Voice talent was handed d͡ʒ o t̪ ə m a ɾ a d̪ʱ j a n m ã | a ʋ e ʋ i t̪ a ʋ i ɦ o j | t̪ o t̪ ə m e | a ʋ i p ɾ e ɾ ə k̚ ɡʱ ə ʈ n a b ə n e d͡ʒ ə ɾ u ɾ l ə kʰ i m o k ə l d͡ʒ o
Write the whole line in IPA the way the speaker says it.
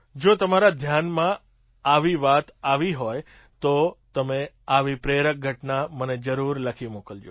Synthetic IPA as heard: d͡ʒ o t̪ ə m a ɾ a d̪ʱ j a n m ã | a ʋ i ʋ a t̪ a ʋ i ɦ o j | t̪ o t̪ ə m e | a ʋ i p ɾ e ɾ ə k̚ ɡʱ ə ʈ n a m ə n e d͡ʒ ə ɾ u ɾ l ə kʰ i m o k ə l d͡ʒ o